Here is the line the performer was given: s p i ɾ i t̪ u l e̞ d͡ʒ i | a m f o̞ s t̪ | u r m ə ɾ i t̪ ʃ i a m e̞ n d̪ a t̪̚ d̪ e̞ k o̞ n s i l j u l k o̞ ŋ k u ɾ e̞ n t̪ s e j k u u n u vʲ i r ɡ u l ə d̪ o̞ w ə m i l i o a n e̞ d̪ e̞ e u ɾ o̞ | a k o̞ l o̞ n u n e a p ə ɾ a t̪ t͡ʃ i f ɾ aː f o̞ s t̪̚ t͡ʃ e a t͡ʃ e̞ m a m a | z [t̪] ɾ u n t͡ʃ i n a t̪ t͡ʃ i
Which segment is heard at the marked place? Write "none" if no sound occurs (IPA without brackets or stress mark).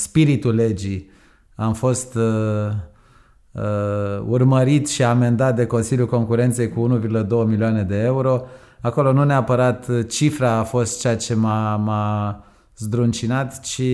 d̪